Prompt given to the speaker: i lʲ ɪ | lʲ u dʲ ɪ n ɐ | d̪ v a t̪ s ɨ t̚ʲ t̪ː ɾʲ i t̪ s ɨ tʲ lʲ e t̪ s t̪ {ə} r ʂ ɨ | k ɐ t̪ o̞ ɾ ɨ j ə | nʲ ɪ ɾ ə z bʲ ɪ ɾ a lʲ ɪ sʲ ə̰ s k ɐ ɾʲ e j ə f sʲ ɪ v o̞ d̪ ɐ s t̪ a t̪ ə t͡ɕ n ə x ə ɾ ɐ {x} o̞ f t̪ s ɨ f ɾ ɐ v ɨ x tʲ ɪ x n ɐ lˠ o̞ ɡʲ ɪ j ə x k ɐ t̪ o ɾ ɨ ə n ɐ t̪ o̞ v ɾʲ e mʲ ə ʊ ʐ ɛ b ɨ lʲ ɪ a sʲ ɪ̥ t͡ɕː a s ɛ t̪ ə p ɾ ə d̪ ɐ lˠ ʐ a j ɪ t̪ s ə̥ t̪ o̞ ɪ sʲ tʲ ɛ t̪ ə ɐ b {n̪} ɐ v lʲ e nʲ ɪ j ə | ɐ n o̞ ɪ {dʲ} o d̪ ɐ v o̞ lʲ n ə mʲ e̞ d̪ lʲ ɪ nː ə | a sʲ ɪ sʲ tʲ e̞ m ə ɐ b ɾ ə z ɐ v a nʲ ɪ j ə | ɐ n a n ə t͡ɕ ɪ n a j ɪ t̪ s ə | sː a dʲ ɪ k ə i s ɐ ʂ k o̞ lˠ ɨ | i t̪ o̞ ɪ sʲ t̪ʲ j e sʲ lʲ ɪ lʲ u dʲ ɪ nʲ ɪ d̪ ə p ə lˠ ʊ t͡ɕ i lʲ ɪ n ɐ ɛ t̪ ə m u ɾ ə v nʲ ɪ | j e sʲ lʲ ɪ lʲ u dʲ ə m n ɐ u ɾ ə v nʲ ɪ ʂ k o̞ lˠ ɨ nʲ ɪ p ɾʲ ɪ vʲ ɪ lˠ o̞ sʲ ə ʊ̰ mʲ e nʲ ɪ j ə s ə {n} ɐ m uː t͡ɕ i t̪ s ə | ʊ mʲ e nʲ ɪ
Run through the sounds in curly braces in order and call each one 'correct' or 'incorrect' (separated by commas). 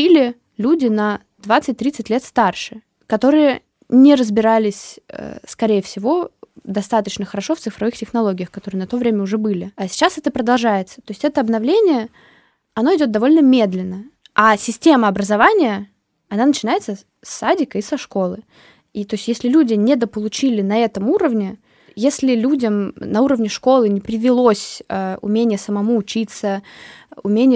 incorrect, incorrect, correct, correct, incorrect